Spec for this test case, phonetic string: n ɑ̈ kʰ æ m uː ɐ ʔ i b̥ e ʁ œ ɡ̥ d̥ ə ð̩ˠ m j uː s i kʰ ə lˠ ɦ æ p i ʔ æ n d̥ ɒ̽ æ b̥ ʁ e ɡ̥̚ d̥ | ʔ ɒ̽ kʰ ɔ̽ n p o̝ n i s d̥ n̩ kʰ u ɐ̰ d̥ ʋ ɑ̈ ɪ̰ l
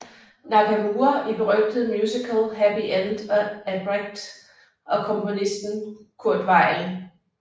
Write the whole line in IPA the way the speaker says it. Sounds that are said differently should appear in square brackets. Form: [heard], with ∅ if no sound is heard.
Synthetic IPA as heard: n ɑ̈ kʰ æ m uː ɐ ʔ i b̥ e ʁ œ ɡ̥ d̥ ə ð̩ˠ m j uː s i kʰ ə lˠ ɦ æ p i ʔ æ n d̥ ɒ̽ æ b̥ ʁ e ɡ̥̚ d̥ | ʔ ɒ̽ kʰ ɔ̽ [m] p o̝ n i s d̥ n̩ kʰ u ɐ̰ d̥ ʋ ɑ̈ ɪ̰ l